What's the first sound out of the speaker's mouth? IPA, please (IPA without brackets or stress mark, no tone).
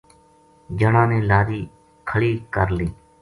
d͡ʒ